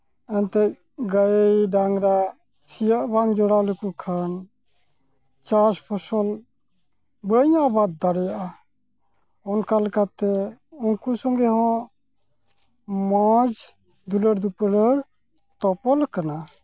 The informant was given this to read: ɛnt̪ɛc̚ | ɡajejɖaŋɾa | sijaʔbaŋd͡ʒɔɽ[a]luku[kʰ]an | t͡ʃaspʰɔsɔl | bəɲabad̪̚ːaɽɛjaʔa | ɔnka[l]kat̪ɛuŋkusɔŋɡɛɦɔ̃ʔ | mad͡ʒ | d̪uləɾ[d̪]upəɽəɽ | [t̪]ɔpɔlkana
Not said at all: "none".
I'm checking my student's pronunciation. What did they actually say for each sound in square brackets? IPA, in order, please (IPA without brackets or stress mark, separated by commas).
a, kʰ, l, d̪, t̪